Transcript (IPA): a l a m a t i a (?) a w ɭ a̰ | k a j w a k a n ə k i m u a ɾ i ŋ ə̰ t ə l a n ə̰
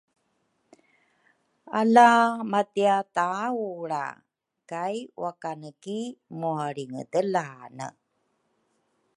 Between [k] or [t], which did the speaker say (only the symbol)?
t